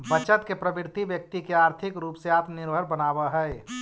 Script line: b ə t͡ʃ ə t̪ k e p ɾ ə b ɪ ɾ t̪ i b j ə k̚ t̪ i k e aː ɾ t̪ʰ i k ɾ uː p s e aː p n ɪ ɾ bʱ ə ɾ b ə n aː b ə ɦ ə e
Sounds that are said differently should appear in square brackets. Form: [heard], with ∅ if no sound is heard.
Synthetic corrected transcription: b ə t͡ʃ ə t̪ k e p ɾ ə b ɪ ɾ t̪ i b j ə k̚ t̪ i k e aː ɾ t̪ʰ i k ɾ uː p s e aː p n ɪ ɾ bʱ ə ɾ b ə n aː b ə ɦ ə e